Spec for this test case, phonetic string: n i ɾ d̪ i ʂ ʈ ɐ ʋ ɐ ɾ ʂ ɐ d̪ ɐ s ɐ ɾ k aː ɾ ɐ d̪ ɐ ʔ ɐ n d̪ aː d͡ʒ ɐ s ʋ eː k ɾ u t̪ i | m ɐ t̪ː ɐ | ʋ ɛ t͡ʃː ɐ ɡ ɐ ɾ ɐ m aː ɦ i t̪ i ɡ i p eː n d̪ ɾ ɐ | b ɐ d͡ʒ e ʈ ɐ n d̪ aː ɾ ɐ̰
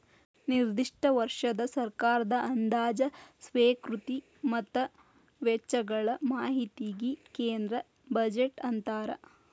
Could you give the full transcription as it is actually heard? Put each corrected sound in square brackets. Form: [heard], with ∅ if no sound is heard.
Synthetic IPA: n i ɾ d̪ i ʂ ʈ ɐ ʋ ɐ ɾ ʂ ɐ d̪ ɐ s ɐ ɾ k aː ɾ ɐ d̪ ɐ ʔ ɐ n d̪ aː d͡ʒ ɐ s ʋ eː k ɾ u t̪ i | m ɐ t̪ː ɐ | ʋ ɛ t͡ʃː ɐ ɡ ɐ [ɭ] ɐ m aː ɦ i t̪ i ɡ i [k] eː n d̪ ɾ ɐ | b ɐ d͡ʒ e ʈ ɐ n [t̪] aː ɾ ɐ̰